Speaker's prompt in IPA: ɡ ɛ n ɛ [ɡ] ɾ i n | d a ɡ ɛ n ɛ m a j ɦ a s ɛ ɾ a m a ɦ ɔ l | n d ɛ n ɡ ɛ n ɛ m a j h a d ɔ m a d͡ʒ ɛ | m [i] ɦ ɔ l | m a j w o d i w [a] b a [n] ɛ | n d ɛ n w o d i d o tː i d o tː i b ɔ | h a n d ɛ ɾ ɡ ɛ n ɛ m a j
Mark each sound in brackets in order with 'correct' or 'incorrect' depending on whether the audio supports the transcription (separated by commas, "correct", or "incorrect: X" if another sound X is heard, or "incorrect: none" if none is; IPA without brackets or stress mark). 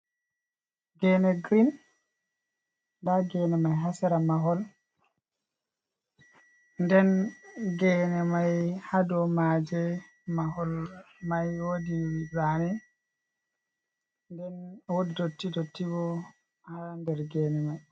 correct, incorrect: a, incorrect: i, correct